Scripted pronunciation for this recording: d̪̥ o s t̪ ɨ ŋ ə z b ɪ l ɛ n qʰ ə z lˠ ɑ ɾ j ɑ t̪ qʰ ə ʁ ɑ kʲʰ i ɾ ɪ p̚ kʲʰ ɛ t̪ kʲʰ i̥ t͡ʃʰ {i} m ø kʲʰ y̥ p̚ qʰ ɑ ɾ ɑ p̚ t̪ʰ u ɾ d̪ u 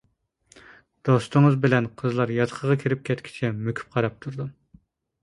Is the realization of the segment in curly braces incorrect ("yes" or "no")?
yes